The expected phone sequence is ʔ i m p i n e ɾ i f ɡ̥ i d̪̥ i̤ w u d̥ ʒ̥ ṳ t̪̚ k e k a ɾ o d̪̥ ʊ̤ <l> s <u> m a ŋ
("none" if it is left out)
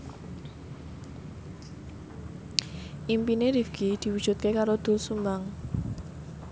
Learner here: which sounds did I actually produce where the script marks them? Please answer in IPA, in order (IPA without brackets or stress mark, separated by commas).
l, u